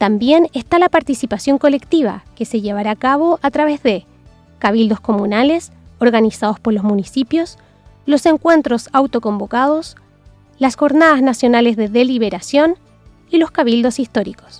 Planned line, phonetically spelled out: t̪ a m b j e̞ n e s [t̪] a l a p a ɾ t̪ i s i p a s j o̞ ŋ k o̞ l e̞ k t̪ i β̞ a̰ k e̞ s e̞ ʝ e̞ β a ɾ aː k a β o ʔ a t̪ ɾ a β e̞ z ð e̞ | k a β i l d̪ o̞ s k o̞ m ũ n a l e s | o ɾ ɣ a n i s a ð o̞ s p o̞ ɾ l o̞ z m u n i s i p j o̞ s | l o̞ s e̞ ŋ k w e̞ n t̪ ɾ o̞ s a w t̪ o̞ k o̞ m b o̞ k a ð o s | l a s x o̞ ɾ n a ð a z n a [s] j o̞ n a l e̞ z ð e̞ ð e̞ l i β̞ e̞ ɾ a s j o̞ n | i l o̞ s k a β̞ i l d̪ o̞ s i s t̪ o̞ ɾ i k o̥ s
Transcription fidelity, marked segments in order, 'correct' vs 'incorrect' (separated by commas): correct, correct